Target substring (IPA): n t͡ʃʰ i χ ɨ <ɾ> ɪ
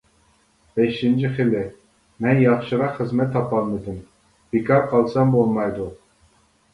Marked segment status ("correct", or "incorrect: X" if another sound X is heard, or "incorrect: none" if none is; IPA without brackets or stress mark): incorrect: l